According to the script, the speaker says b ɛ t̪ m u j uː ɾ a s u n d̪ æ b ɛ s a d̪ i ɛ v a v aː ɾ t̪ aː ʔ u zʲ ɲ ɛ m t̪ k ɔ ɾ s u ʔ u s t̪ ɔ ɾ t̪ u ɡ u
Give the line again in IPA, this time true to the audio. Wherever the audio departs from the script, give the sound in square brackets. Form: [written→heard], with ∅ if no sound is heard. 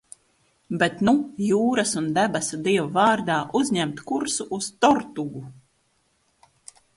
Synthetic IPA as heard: b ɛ t̪ [m→n] u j uː ɾ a s u n d̪ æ b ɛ s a d̪ i ɛ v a v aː ɾ [t̪→d̪] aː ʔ u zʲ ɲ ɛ m t̪ k [ɔ→u] ɾ s u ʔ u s t̪ ɔ ɾ t̪ u ɡ u